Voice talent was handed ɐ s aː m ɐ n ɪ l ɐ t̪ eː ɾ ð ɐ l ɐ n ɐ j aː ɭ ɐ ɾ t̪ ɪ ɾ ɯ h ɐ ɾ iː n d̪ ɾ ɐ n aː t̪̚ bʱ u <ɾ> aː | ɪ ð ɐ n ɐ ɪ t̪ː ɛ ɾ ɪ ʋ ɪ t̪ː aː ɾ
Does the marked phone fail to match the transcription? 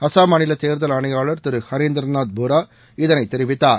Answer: no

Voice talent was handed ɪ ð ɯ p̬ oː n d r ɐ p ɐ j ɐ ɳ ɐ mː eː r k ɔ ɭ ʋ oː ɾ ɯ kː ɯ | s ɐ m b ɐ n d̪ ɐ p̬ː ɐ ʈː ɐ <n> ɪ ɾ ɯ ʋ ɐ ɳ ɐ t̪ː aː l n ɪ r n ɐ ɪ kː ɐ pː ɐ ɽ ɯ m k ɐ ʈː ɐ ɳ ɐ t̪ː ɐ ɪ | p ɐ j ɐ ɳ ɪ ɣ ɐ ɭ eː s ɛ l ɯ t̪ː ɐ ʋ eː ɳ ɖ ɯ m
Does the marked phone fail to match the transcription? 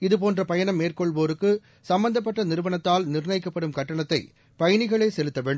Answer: no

